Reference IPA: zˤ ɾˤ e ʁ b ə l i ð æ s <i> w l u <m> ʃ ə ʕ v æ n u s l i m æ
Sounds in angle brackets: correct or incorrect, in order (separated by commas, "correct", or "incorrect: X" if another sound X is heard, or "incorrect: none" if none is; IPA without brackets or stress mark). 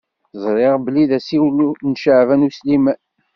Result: correct, incorrect: n